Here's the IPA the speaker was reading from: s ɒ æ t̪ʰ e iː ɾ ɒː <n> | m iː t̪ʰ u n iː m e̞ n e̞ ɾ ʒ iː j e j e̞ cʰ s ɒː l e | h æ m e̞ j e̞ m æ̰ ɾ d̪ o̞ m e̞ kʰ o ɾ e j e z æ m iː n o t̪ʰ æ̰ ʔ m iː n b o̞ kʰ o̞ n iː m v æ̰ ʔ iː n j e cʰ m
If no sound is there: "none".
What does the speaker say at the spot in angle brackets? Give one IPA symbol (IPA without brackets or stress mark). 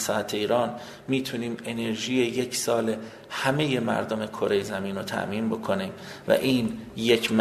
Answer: n